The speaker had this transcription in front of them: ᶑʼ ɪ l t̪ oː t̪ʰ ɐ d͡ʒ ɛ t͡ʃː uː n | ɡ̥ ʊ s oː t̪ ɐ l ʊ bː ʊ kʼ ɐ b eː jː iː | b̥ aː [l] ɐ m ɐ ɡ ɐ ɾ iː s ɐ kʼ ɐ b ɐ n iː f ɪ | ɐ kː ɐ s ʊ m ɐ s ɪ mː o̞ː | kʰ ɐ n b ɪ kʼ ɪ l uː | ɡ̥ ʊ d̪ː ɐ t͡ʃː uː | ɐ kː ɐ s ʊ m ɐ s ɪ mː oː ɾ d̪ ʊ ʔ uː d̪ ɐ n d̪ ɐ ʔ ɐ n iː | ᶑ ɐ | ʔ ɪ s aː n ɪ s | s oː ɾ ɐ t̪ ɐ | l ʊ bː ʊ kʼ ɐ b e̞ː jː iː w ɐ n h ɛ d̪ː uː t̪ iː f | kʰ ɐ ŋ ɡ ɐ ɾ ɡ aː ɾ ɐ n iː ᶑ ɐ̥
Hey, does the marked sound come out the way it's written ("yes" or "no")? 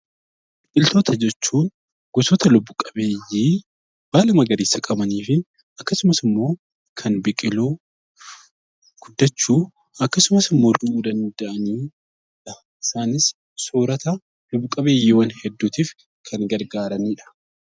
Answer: yes